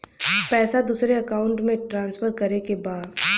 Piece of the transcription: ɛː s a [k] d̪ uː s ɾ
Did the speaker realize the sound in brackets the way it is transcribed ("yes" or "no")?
no